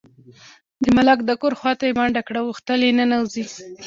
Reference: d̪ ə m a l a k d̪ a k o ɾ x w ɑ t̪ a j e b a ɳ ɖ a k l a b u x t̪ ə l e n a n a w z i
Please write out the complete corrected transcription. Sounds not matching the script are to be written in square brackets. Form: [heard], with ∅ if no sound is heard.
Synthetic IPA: d̪ ə m a l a k d̪ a k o ɾ x w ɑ t̪ a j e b a ɳ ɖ a k [ɽ] a [w] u x t̪ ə l e n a n a w z i